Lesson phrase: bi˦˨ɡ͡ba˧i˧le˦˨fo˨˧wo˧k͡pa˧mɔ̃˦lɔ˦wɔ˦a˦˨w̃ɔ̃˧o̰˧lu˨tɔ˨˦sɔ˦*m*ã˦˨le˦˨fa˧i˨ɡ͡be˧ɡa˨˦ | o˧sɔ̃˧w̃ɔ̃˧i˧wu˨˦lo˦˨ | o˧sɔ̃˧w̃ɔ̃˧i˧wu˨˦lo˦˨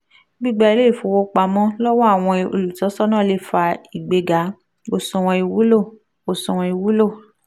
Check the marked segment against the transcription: incorrect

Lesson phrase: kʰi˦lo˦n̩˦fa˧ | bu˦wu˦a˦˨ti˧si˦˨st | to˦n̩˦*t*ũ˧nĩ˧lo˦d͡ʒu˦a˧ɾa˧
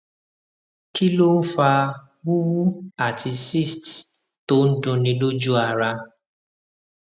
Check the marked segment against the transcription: incorrect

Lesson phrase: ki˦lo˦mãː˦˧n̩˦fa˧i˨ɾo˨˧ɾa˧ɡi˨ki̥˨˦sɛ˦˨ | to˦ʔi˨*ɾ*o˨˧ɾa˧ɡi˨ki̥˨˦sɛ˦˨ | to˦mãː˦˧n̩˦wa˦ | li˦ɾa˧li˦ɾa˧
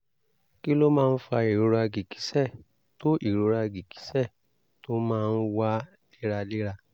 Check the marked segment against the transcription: correct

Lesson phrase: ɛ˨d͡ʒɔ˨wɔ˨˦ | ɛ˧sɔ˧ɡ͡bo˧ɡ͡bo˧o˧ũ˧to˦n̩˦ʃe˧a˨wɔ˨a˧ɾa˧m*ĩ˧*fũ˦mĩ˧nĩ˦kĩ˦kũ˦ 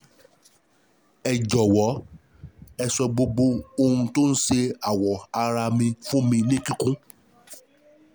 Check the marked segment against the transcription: correct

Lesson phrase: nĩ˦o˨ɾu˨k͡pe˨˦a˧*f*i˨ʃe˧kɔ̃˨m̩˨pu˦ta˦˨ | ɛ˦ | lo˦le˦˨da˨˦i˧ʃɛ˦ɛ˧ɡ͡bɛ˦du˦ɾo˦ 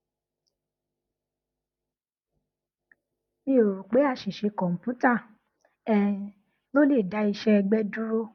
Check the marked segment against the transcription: incorrect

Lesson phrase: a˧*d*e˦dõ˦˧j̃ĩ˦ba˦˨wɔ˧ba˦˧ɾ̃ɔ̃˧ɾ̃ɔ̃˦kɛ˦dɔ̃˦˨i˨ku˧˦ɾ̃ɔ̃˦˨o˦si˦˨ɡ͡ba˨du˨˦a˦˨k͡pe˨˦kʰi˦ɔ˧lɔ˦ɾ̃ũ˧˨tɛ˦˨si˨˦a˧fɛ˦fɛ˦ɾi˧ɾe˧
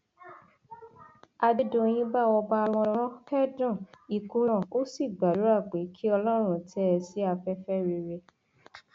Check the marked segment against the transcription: correct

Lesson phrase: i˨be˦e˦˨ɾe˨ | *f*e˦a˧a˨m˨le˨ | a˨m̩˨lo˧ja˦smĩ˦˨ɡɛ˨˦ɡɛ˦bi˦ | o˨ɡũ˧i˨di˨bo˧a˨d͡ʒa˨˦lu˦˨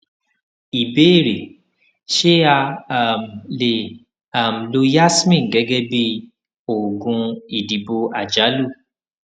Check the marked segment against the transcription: incorrect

